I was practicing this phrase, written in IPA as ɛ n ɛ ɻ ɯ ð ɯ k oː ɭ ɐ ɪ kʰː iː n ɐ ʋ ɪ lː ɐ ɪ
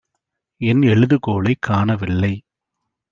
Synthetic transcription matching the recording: ɛ n ɛ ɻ ɯ ð ɯ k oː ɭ ɐ ɪ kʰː aː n ɐ ʋ ɪ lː ɐ ɪ